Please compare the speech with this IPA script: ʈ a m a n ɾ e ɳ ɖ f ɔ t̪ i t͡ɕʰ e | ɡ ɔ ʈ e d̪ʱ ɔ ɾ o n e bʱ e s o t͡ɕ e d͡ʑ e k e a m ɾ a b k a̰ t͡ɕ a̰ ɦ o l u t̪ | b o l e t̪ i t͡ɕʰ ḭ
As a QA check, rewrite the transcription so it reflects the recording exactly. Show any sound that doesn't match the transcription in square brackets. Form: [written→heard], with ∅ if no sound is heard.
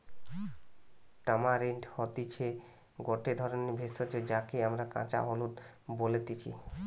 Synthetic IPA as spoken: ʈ a m a [n→∅] ɾ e ɳ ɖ [f→h] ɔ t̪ i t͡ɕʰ e | ɡ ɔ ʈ e d̪ʱ ɔ ɾ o n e bʱ e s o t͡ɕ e d͡ʑ [e→a] k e a m ɾ a [b→∅] k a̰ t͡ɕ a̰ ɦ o l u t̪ | b o l e t̪ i t͡ɕʰ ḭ